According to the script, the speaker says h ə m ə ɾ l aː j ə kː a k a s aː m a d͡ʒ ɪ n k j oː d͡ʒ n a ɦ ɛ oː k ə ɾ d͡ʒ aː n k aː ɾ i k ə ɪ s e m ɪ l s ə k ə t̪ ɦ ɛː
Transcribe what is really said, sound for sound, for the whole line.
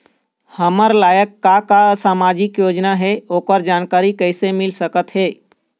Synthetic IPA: h ə m ə ɾ l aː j ə kː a k a s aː m a d͡ʒ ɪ k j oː d͡ʒ n a ɦ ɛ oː k ə ɾ d͡ʒ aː n k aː ɾ i k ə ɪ s e m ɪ l s ə k ə t̪ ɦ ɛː